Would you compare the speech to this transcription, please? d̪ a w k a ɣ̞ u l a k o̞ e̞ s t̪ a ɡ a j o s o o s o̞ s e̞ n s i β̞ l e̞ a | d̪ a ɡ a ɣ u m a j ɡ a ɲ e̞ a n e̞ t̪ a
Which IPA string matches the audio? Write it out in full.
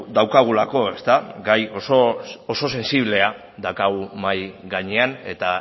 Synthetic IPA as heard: d̪ a w k a ɣ̞ u l a k o̞ e̞ s t̪ a ɡ a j o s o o s o̞ s e̞ n s i β̞ l e̞ a | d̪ a k a ɣ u m a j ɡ a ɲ e̞ a n e̞ t̪ a